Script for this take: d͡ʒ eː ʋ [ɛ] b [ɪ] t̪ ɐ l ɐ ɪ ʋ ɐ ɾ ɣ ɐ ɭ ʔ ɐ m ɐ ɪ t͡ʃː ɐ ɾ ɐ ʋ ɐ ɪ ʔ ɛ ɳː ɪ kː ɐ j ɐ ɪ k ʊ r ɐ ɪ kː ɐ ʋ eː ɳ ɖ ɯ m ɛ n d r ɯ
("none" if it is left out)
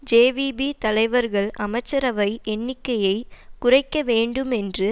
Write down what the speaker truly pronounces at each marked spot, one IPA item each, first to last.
i, i

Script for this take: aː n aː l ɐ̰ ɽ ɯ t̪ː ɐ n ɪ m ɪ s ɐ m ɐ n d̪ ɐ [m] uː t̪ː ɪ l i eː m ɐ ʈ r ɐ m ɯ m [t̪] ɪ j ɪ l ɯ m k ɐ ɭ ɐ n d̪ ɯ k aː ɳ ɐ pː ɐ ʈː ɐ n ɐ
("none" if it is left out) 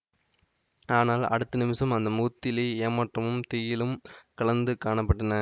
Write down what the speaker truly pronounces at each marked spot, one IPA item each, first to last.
m, t̪

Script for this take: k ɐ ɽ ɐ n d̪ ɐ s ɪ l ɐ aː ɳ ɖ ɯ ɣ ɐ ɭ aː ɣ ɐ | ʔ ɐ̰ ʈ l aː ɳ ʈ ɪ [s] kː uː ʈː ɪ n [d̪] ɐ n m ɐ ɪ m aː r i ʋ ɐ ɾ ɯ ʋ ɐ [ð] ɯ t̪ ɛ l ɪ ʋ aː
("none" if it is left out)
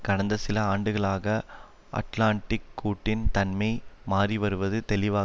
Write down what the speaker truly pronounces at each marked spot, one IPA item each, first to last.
none, t̪, ð

